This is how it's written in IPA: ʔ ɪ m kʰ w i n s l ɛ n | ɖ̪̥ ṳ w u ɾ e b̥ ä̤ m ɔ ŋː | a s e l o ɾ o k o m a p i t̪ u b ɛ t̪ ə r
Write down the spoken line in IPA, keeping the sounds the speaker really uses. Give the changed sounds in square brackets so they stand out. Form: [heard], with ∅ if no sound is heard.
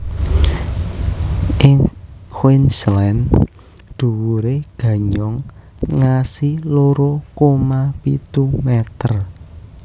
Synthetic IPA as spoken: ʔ ɪ [ŋ] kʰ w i n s l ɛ n | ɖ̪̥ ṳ w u ɾ e [ɡ̥] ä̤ [ɲ] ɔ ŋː | a s [i] l o ɾ o k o m a p i t̪ u [m] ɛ t̪ ə r